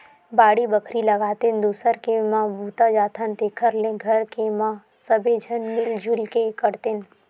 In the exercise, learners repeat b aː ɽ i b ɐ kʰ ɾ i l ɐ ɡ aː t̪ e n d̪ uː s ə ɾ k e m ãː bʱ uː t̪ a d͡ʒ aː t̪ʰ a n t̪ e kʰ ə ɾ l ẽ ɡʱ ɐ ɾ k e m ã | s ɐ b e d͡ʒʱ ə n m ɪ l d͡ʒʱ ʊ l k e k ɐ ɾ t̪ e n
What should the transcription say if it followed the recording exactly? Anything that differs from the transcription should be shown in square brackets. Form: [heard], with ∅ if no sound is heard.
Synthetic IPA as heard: b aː ɽ i b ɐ kʰ ɾ i l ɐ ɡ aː t̪ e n d̪ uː s ə ɾ k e m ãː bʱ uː t̪ a d͡ʒ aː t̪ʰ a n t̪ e kʰ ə ɾ l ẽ ɡʱ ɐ ɾ k e m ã | s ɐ b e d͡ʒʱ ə n m ɪ l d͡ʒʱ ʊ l k e k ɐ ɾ t̪ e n